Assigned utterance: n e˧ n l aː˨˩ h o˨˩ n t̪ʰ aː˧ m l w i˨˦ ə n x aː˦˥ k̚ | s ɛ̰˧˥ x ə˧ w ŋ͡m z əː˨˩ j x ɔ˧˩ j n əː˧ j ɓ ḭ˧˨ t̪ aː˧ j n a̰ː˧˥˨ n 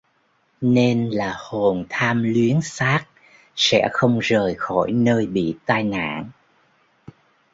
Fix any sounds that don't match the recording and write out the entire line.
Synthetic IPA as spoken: n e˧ n l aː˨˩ h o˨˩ n t̪ʰ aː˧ m l w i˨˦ ə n s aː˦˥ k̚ | s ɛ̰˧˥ x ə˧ w ŋ͡m z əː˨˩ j x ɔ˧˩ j n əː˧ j ɓ ḭ˧˨ t̪ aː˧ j n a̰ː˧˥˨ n